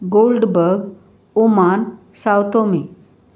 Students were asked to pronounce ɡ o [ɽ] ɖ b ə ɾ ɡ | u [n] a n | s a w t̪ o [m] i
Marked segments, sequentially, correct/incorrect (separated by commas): incorrect, incorrect, correct